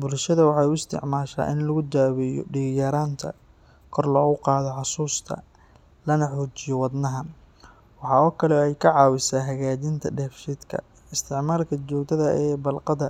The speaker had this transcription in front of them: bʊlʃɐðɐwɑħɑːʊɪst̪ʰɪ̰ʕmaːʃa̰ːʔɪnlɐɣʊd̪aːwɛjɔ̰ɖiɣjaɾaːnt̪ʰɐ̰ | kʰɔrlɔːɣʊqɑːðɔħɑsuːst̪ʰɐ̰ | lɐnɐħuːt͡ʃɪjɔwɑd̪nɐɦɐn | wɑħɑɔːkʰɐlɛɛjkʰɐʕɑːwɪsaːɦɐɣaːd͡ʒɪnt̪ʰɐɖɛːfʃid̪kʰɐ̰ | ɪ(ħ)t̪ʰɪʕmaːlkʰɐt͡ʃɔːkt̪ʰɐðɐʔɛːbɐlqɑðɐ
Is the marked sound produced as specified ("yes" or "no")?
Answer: no